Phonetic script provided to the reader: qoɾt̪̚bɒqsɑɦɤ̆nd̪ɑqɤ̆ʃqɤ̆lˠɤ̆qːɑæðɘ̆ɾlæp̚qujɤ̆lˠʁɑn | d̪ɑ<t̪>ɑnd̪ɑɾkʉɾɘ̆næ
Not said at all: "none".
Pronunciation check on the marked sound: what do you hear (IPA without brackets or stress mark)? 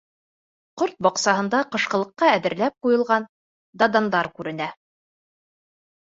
d̪